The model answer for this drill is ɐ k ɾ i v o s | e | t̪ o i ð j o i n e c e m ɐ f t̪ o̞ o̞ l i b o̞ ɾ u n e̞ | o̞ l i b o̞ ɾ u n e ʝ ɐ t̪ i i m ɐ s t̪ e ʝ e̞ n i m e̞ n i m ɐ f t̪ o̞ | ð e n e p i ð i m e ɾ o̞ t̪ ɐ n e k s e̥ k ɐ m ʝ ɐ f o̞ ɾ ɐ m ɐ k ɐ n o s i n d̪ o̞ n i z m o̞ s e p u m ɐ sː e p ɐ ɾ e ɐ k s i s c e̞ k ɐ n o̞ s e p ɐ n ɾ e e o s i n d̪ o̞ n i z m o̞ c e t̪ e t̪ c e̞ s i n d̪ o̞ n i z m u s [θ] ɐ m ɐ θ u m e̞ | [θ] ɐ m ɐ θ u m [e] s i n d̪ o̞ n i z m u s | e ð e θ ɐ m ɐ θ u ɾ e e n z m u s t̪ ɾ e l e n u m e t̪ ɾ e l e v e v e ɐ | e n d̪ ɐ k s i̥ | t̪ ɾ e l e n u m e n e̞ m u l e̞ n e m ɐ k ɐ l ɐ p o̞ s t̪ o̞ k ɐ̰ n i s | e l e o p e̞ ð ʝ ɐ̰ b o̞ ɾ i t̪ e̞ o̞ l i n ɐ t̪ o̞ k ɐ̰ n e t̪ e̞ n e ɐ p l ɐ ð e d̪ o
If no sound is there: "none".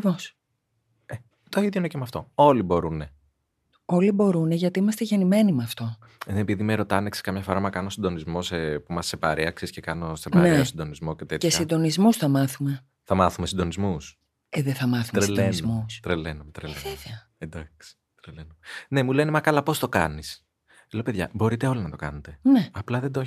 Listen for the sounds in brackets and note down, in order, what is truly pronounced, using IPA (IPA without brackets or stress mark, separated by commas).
θ, θ, e